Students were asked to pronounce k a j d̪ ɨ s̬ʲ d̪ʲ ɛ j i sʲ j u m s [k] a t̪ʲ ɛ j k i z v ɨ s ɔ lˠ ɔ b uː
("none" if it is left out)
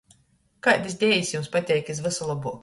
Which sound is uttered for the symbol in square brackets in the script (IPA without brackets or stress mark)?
p